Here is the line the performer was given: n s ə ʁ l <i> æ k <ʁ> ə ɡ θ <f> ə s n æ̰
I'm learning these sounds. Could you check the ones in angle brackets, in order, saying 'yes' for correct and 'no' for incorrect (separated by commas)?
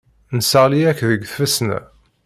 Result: yes, no, yes